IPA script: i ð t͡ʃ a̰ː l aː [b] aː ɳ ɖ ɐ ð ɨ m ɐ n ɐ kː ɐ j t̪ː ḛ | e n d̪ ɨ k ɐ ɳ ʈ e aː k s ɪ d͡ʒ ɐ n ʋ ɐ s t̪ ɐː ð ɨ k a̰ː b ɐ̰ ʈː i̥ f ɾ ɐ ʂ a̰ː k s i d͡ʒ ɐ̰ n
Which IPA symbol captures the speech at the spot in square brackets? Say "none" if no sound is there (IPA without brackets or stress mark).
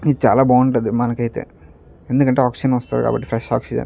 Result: b